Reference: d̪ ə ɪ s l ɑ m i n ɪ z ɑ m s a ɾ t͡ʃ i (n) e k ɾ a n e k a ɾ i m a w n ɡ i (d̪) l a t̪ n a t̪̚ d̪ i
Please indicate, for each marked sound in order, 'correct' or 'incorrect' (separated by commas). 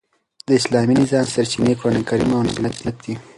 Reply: correct, incorrect